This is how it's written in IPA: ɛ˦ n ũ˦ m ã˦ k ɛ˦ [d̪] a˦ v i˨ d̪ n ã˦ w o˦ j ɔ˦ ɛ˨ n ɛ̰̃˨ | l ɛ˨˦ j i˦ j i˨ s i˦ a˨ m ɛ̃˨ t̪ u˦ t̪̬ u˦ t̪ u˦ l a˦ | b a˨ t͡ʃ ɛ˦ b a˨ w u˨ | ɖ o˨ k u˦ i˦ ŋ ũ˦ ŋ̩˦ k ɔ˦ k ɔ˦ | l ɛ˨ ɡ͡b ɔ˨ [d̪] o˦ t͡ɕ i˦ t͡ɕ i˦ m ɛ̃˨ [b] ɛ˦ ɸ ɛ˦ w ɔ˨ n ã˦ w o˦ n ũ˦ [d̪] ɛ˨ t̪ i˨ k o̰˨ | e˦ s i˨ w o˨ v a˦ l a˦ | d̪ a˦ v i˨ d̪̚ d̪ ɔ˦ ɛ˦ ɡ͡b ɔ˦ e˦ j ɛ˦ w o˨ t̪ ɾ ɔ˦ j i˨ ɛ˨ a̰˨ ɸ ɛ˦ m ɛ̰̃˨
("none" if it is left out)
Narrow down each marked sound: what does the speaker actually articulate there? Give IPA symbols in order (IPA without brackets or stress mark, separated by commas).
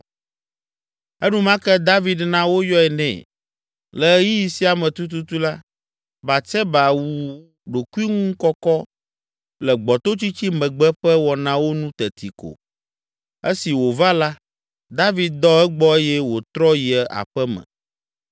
d̪, t̪, ɡ͡b, t̪